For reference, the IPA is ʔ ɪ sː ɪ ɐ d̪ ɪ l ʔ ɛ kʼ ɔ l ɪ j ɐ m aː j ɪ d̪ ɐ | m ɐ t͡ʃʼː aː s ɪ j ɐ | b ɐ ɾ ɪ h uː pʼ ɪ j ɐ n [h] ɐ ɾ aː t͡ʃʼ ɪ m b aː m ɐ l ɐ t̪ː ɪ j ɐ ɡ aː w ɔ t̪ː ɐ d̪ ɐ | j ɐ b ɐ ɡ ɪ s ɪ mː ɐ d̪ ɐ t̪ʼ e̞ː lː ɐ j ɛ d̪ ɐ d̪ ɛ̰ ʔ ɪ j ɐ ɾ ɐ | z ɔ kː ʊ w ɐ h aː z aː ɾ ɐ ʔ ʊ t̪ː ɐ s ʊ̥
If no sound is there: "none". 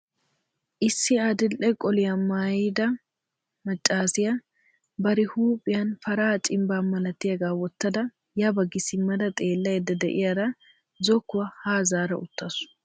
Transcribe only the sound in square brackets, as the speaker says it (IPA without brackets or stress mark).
f